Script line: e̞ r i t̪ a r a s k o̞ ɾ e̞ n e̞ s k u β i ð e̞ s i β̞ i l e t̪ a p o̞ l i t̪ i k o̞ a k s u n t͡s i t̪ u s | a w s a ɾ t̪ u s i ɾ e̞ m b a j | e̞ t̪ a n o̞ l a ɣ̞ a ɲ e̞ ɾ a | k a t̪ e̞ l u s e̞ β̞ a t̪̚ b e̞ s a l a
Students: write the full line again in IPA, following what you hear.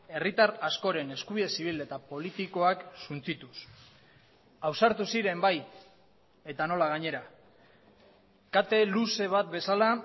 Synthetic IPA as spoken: e̞ r i t̪ a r a s k o̞ ɾ e̞ n e̞ s k u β i ð e̞ s i β̞ i l e t̪ a p o̞ l i t̪ i k o̞ a k s u n t͡s i t̪ u s | a w s a ɾ t̪ u s i ɾ e̞ m b a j | e̞ t̪ a n o̞ l a ɣ̞ a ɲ e̞ ɾ a | k a t̪ e̞ l u s e̞ β̞ a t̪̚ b e̞ s a l a